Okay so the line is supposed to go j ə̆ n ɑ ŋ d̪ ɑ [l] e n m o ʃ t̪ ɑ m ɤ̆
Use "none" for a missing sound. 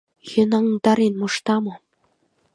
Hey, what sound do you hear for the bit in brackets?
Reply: ɾ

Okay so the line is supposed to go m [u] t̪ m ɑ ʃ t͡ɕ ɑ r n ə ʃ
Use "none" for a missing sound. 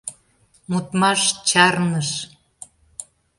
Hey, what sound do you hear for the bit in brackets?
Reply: u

